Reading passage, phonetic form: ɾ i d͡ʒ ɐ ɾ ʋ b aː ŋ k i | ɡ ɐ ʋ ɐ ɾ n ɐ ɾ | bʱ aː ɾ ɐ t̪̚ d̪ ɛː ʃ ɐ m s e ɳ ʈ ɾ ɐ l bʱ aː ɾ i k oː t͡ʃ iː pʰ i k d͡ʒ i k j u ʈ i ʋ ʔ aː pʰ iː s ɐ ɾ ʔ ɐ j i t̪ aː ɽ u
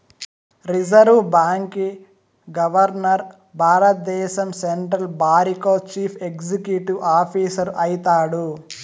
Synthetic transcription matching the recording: ɾ i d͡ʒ ɐ ɾ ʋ b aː ŋ k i | ɡ ɐ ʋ ɐ ɾ n ɐ ɾ | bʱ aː ɾ ɐ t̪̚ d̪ ɛː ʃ ɐ m s e ɳ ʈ ɾ ɐ l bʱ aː ɾ i k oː t͡ʃ iː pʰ e k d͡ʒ i k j u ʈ i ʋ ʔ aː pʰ iː s ɐ ɾ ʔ ɐ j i t̪ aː ɽ u